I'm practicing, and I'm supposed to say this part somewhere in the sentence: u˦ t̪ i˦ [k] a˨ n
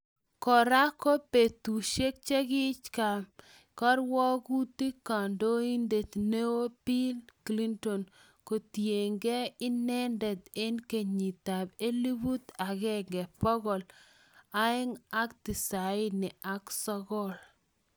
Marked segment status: correct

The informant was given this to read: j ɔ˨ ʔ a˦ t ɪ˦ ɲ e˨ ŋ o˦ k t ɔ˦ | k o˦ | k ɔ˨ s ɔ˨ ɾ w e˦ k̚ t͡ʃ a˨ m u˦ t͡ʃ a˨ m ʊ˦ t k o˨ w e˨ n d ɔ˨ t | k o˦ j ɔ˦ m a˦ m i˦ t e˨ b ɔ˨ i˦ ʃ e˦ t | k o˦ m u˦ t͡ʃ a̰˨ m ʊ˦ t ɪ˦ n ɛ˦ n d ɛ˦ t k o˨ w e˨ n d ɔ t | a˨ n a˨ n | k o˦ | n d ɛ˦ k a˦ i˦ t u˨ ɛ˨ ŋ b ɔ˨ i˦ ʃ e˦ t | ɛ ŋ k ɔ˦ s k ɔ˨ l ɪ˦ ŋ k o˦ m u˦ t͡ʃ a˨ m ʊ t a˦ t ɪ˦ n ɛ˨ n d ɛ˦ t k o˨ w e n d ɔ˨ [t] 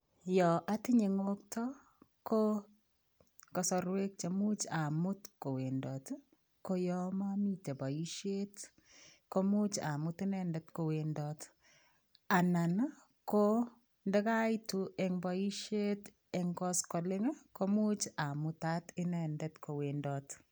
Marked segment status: correct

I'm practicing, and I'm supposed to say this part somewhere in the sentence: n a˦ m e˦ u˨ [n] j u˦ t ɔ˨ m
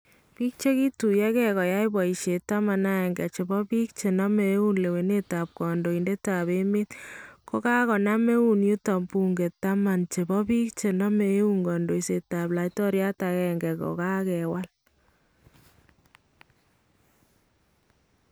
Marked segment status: correct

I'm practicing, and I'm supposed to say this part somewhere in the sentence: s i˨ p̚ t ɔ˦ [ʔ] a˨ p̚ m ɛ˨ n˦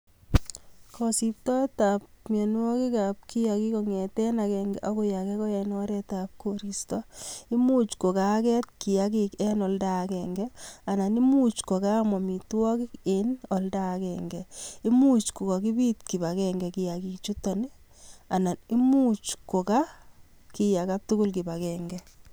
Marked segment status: incorrect: t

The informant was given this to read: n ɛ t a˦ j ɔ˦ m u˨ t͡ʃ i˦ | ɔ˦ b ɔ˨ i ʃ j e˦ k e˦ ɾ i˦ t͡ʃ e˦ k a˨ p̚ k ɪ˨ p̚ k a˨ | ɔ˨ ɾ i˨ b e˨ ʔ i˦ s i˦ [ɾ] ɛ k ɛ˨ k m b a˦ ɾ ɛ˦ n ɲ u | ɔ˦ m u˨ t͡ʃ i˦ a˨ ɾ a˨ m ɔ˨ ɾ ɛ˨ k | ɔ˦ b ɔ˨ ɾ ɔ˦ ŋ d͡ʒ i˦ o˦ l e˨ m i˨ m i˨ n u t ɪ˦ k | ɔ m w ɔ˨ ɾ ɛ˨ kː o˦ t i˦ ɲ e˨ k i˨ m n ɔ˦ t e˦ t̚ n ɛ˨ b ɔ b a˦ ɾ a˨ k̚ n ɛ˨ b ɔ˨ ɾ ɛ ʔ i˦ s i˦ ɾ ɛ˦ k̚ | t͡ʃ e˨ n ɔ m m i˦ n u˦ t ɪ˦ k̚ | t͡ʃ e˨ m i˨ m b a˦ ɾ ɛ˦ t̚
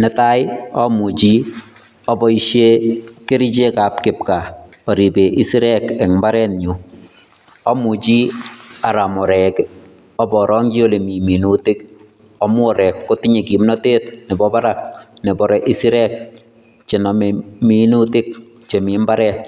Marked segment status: correct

